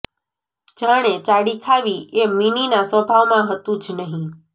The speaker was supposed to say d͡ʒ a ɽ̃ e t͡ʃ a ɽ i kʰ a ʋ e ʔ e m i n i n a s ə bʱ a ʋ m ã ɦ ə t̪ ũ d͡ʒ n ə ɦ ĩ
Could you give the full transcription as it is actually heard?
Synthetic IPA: d͡ʒ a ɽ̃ e t͡ʃ a ɽ i kʰ a ʋ i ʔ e m i n i n a s ə bʱ a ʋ m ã ɦ ə t̪ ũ d͡ʒ n ə ɦ ĩ